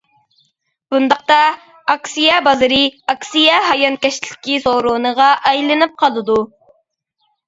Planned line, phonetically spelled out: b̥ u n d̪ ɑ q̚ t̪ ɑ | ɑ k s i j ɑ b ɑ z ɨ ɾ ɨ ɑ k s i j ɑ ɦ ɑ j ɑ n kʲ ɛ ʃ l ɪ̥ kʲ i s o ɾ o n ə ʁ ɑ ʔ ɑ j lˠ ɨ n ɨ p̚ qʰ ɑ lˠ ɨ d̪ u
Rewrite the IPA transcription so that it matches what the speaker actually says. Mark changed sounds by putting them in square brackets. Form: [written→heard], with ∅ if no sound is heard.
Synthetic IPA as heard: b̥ u n d̪ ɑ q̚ t̪ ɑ | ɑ k s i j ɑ b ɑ z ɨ ɾ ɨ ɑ k s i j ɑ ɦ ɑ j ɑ n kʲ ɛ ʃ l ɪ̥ kʲ i s o ɾ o n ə ʁ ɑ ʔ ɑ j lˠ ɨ n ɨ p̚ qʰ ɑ lˠ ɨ d̪ u